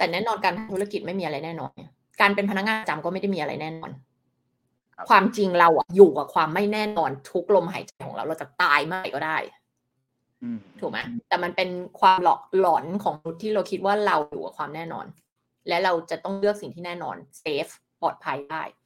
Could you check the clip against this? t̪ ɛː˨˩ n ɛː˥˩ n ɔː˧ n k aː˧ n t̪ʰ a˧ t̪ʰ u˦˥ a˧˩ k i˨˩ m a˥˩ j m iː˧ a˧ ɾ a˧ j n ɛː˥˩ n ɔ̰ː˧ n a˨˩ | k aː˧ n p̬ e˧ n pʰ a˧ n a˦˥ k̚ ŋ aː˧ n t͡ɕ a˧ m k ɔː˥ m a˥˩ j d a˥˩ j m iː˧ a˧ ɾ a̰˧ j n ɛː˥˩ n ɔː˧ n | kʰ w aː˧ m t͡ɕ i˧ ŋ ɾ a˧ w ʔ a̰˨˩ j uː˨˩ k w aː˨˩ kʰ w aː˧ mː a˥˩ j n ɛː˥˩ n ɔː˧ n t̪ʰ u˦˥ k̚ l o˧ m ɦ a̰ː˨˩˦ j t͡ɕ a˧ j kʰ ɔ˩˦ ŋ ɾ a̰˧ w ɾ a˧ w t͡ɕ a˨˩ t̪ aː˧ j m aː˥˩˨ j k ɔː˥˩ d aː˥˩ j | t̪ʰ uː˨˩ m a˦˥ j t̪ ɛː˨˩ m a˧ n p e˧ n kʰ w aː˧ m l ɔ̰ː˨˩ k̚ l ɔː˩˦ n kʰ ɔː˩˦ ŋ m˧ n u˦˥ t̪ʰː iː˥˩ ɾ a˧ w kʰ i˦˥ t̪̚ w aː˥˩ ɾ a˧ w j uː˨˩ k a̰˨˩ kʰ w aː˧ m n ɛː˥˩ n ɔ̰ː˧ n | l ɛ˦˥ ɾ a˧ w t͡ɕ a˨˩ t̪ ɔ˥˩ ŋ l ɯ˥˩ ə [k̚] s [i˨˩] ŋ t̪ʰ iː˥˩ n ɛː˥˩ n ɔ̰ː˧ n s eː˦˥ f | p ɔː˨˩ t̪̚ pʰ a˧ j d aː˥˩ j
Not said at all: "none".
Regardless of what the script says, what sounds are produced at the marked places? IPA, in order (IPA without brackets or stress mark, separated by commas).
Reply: k̚, i˨˩